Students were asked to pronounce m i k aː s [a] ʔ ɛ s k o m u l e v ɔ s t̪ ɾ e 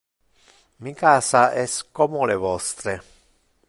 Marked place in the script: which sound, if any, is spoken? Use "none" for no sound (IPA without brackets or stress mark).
a